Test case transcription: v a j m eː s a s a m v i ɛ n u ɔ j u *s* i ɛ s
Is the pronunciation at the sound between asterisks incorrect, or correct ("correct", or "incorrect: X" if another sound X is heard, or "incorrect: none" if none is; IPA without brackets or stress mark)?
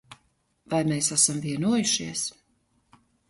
incorrect: ʃ